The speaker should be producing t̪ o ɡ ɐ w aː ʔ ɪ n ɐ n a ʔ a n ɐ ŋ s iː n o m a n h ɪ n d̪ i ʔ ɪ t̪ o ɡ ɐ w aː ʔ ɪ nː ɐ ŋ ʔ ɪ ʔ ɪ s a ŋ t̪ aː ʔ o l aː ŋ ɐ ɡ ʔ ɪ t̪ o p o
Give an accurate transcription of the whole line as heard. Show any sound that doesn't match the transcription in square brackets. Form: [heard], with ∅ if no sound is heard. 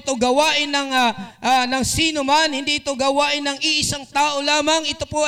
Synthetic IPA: t̪ o ɡ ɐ w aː ʔ ɪ n ɐ [ŋ] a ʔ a n ɐ ŋ s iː n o m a n h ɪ n d̪ i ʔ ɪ t̪ o ɡ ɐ w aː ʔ ɪ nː ɐ ŋ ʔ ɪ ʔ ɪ s a ŋ t̪ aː ʔ o l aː [m] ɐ [ŋ] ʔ ɪ t̪ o p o